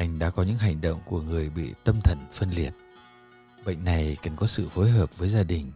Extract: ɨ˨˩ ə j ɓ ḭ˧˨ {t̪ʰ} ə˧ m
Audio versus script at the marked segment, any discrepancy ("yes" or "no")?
yes